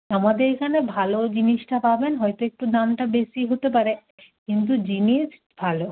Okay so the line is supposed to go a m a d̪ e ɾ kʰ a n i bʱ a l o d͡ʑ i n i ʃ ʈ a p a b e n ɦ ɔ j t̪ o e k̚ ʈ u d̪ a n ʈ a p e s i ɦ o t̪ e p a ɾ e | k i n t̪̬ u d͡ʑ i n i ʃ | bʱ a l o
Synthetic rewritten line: a m a d̪ e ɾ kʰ a n e bʱ a l o d͡ʑ i n i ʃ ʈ a p a b e n ɦ ɔ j t̪ o e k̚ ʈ u d̪ a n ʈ a b e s i ɦ o t̪ e p a ɾ e | k i n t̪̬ u d͡ʑ i n i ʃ | bʱ a l o